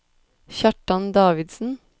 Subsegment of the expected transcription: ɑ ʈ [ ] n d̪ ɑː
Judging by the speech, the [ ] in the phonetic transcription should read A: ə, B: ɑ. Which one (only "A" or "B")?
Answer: B